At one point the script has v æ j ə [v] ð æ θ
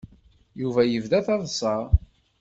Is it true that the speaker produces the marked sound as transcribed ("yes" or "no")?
yes